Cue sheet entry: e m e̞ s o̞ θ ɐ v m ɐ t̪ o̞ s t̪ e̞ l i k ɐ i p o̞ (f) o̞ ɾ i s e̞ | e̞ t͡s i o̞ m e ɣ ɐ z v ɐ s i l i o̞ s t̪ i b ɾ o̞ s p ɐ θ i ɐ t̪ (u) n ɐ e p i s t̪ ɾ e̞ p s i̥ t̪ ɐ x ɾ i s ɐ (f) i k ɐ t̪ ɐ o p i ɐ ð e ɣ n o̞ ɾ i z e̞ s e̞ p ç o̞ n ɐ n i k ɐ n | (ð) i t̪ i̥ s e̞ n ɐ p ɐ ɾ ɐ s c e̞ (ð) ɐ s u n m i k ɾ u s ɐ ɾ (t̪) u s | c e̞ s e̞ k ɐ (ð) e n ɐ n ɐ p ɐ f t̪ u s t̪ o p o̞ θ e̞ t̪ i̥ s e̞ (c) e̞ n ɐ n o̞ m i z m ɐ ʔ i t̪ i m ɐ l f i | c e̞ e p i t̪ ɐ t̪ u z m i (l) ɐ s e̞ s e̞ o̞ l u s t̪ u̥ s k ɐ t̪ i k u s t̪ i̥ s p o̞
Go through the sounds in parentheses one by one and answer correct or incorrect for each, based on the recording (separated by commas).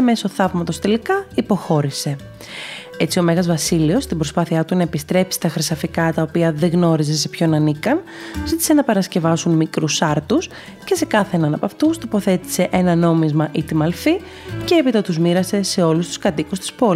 incorrect, correct, correct, incorrect, incorrect, correct, incorrect, incorrect, incorrect